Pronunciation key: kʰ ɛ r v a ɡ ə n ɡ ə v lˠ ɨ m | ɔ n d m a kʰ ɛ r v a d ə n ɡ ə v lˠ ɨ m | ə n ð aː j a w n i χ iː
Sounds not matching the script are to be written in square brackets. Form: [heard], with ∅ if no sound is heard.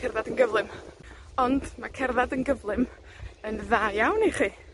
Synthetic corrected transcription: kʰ ɛ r [ð] a [d] ə n ɡ ə v lˠ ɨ m | ɔ n d m a kʰ ɛ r [ð] a d ə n ɡ ə v lˠ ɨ m | ə n ð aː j a w n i χ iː